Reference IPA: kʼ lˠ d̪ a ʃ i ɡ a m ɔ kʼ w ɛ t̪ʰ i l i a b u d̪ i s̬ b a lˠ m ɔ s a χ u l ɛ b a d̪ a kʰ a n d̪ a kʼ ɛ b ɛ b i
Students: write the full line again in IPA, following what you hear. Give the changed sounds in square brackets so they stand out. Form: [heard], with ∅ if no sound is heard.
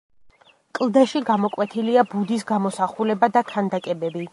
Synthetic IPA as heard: kʼ lˠ d̪ a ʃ i ɡ a m ɔ kʼ w ɛ t̪ʰ i l i a b u d̪ i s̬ [ɡ] a [∅] m ɔ s a χ u l ɛ b a d̪ a kʰ a n d̪ a kʼ ɛ b ɛ b i